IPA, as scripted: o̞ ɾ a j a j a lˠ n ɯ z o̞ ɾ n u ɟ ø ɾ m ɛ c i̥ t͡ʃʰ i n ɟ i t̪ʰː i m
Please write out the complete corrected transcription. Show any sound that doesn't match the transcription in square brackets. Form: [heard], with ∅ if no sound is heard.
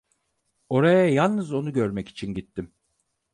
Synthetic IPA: o̞ ɾ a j a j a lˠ n ɯ z o̞ [∅] n u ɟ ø ɾ m ɛ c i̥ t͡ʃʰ i n ɟ i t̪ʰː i m